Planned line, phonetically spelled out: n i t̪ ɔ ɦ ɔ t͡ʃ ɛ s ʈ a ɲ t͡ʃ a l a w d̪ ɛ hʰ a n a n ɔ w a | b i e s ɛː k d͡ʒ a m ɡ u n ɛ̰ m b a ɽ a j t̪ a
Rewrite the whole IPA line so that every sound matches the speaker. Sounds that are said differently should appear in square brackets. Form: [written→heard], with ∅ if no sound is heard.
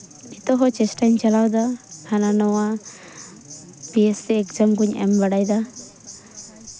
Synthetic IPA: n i t̪ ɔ ɦ ɔ t͡ʃ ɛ s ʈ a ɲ t͡ʃ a l a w d̪ [ɛ→a] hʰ a n a n ɔ w a | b i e s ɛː k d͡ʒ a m ɡ u [n→ɲ] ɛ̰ m b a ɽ a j [t̪→d̪] a

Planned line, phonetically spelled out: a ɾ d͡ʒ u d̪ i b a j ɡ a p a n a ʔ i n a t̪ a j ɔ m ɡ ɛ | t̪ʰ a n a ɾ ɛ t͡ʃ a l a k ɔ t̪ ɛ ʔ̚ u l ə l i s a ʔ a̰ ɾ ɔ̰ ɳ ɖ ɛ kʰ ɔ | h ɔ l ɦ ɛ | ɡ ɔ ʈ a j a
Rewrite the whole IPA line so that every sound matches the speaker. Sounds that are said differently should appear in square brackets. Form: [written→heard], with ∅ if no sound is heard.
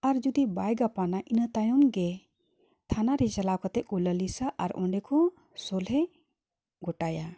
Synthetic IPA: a ɾ d͡ʒ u d̪ i b a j ɡ a p a n a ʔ i n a t̪ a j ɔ m ɡ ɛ | t̪ʰ a n a ɾ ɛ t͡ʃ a l a k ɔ t̪ ɛ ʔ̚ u l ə l i s a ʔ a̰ ɾ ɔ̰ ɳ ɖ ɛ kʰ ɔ | [h→s] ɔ l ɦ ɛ | ɡ ɔ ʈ a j a

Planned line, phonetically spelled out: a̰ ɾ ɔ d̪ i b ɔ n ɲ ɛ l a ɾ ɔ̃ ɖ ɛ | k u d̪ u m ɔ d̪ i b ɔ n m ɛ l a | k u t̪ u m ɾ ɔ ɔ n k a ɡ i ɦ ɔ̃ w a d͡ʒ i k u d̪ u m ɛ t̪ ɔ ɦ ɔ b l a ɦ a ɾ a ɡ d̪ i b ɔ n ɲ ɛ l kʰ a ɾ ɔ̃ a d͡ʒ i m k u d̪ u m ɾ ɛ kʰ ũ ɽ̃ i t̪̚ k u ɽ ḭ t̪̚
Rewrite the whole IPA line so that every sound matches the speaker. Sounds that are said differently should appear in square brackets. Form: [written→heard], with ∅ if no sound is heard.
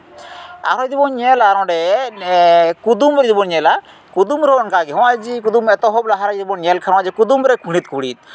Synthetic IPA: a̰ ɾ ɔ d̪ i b ɔ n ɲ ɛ l a ɾ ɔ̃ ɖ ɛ | k u d̪ u m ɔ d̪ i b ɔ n [m→ɲ] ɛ l a | k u [t̪→d̪] u m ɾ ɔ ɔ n k a ɡ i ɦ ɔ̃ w a d͡ʒ i k u d̪ u m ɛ t̪ ɔ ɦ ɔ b l a ɦ a ɾ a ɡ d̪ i b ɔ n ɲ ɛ l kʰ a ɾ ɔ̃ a d͡ʒ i [m→∅] k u d̪ u m ɾ ɛ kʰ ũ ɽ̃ i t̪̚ k u ɽ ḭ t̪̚

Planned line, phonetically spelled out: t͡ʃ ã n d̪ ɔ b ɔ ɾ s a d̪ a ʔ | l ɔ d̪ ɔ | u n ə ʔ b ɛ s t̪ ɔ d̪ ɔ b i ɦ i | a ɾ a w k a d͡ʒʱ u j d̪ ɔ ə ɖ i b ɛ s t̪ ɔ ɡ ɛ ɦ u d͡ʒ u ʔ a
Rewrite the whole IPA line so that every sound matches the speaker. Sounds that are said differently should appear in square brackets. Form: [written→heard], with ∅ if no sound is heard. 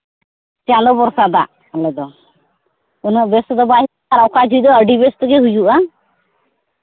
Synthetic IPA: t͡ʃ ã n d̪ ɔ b ɔ ɾ s a d̪ a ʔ | l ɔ d̪ ɔ | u n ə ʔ b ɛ s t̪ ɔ d̪ ɔ b [i→a] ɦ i | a ɾ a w k a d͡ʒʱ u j d̪ ɔ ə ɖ i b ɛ s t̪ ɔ ɡ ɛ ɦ u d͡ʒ u ʔ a

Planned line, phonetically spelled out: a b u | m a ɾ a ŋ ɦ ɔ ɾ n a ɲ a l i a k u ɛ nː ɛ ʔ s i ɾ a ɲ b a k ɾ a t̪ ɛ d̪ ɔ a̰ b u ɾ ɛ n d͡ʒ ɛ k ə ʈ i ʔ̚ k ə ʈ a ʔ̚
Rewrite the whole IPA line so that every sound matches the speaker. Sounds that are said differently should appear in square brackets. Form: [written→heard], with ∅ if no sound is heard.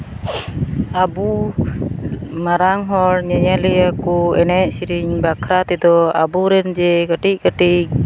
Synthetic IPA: a b u | m a ɾ a ŋ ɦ ɔ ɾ [n→ɲ] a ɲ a l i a k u ɛ [nː→n] ɛ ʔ s i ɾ [a→i] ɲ b a k ɾ a t̪ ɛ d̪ ɔ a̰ b u ɾ ɛ n d͡ʒ ɛ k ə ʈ i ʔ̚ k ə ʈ [a→i] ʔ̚

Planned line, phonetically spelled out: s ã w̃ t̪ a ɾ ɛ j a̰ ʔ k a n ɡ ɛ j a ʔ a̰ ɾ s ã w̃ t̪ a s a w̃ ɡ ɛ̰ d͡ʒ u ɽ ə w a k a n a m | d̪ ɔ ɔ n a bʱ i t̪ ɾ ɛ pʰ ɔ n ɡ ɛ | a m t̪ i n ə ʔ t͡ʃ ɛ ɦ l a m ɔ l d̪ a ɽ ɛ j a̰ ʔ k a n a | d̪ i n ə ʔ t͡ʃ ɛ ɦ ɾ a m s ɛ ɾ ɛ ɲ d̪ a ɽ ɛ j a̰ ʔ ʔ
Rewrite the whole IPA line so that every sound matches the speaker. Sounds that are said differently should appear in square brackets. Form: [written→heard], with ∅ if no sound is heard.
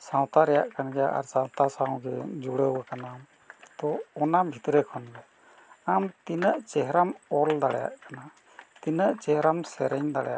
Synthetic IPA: s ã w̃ t̪ a ɾ ɛ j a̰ ʔ k a n ɡ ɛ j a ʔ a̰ ɾ s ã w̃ t̪ a s a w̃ ɡ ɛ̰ d͡ʒ u ɽ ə w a k a n a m | [d̪→t̪] ɔ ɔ n a bʱ i t̪ ɾ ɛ [pʰ→kʰ] ɔ n ɡ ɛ | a m t̪ i n ə ʔ t͡ʃ ɛ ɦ [l→ɾ] a m ɔ l d̪ a ɽ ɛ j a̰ ʔ k a n a | [d̪→t̪] i n ə ʔ t͡ʃ ɛ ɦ ɾ a m s ɛ ɾ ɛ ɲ d̪ a ɽ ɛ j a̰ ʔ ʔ

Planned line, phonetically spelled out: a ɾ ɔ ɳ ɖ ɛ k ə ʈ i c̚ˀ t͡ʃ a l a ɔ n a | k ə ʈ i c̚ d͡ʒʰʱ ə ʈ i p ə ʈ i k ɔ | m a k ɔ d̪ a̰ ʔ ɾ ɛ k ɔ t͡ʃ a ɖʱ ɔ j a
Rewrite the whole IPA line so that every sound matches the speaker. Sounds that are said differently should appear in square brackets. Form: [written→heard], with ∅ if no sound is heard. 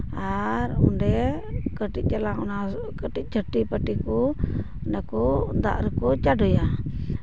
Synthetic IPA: a ɾ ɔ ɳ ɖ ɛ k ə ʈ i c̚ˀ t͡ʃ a l a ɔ n a | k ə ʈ i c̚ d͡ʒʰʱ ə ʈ i p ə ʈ i k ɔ | [m→n] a k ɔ d̪ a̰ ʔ ɾ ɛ k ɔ t͡ʃ a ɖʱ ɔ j a

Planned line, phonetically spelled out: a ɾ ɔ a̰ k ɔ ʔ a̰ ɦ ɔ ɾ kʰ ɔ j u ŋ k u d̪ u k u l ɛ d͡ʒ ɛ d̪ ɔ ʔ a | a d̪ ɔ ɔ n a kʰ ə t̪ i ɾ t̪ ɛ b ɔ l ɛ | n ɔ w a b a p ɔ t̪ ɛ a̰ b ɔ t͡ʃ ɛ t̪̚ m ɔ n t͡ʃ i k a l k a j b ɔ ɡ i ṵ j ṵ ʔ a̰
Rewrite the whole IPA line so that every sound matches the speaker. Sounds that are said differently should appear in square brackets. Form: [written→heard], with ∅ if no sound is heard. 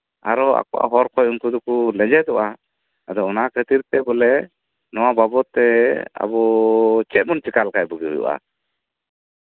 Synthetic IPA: a ɾ ɔ a̰ k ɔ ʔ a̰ ɦ ɔ ɾ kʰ ɔ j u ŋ k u d̪ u k u l ɛ d͡ʒ ɛ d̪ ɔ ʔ a | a d̪ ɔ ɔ n a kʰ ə t̪ i ɾ t̪ ɛ b ɔ l ɛ | n ɔ w a b a [p→b] ɔ t̪ ɛ a̰ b ɔ t͡ʃ ɛ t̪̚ m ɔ n t͡ʃ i k a l k a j b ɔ ɡ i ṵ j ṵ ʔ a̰

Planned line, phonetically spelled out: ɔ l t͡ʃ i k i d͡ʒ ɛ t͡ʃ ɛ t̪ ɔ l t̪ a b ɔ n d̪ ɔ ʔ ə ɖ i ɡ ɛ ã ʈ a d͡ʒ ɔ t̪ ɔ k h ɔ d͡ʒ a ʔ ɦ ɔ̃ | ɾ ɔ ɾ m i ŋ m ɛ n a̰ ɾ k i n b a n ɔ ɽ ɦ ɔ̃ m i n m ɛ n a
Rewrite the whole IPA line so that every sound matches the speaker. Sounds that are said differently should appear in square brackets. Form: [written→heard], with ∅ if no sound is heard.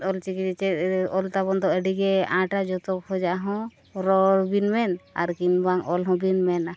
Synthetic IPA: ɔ l t͡ʃ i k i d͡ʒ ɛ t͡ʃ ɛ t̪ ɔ l t̪ a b ɔ n d̪ ɔ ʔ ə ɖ i ɡ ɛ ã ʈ a d͡ʒ ɔ t̪ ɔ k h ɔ d͡ʒ a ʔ ɦ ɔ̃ | ɾ ɔ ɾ [m→b] i [ŋ→n] m ɛ n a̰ ɾ k i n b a [n→ŋ] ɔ [ɽ→l] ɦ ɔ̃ [m→b] i n m ɛ n a

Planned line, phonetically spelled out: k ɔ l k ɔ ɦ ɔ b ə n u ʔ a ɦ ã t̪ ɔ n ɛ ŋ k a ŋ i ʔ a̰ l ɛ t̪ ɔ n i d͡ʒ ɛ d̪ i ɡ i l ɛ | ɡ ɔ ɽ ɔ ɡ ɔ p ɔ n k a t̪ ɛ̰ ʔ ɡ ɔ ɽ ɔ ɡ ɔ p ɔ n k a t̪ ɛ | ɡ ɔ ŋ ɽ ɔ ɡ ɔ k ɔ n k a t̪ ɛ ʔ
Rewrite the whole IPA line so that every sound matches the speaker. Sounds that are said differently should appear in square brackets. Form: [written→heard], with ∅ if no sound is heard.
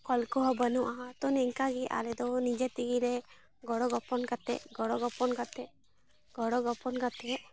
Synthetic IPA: k ɔ l k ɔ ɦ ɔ b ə n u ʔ a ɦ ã t̪ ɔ n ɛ ŋ k a [ŋ→ɡ] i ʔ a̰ l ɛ [t̪→d̪] ɔ n i d͡ʒ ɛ [d̪→t̪] i ɡ i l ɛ | ɡ ɔ ɽ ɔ ɡ ɔ p ɔ n k a t̪ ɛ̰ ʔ ɡ ɔ ɽ ɔ ɡ ɔ p ɔ n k a t̪ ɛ | ɡ ɔ [ŋ→∅] ɽ ɔ ɡ ɔ [k→p] ɔ n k a t̪ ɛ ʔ

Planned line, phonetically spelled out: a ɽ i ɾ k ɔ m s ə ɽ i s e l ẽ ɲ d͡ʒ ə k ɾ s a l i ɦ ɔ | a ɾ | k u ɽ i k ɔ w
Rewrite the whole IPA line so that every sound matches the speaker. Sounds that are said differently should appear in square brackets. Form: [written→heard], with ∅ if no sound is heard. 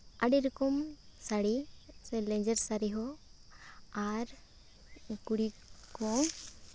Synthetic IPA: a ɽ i ɾ k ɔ m s [ə→a] ɽ i s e l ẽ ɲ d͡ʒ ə [k→∅] ɾ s a [l→ɾ] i ɦ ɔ | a ɾ | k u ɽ i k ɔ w

